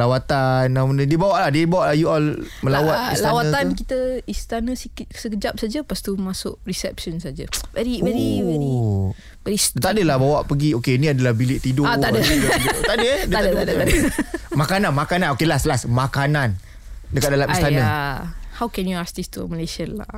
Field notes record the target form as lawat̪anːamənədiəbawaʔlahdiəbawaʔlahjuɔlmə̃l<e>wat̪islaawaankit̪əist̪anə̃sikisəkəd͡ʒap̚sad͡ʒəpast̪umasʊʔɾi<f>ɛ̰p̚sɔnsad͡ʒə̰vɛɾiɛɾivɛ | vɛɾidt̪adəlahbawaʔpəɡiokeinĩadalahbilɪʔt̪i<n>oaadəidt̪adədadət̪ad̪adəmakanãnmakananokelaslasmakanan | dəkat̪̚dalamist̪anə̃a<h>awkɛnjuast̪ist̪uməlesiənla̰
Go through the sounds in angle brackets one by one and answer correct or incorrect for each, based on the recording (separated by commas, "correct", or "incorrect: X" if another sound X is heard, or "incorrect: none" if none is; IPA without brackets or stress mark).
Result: incorrect: a, incorrect: s, incorrect: d, correct